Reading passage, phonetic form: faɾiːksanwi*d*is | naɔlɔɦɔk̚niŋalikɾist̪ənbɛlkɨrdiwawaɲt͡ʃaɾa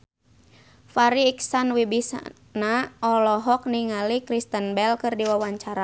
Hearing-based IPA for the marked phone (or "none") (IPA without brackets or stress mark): b